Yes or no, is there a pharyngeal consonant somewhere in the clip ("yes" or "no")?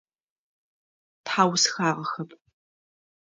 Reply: yes